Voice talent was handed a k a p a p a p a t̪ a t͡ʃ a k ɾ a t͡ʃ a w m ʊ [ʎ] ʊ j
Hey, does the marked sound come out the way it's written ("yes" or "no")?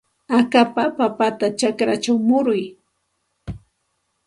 no